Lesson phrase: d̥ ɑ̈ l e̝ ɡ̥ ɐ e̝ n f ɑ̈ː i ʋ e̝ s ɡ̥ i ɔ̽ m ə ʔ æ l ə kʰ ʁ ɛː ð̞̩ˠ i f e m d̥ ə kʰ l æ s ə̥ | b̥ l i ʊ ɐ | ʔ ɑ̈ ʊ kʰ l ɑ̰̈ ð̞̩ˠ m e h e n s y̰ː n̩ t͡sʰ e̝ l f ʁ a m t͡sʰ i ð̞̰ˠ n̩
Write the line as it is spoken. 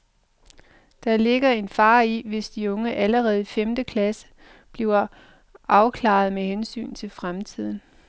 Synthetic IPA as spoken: d̥ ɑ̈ l e̝ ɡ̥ ɐ e̝ n f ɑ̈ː i ʋ e̝ s d̥ i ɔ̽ ŋ ə ʔ æ l ə ʁ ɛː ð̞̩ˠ i f e m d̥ ə kʰ l æ s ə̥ | b̥ l i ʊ ɐ | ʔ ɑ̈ ʊ kʰ l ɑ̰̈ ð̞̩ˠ m e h e n s y̰ː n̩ t͡sʰ e̝ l f ʁ a m t͡sʰ i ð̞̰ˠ n̩